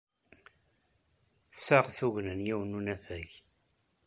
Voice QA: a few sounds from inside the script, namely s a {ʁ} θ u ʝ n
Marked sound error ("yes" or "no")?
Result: no